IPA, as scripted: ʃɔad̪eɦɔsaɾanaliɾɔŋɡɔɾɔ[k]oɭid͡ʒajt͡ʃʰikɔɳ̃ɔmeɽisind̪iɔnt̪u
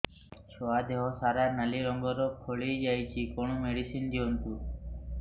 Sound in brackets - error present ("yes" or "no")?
yes